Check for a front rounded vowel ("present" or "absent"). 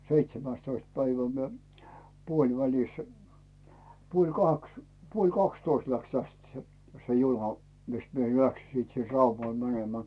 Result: absent